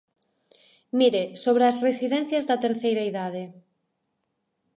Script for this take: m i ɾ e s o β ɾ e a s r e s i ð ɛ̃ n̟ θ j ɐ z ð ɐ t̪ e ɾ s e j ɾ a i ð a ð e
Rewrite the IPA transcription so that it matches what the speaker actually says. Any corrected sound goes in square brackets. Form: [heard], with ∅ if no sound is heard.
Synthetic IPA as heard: m i ɾ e s o β ɾ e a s r e s i ð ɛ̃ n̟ θ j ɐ z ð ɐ t̪ e ɾ [θ] e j ɾ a i ð a ð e